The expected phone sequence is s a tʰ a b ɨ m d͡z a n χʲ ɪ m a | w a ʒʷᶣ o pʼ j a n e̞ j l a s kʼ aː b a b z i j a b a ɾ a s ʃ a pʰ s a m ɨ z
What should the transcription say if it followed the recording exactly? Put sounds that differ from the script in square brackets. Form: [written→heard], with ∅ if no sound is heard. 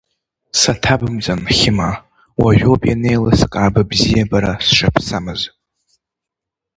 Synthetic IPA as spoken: s a tʰ a b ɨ m d͡z a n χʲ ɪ m a | w a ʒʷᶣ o pʼ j a n e̞ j l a s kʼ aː b a b z i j a b a ɾ a s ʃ a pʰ s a m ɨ z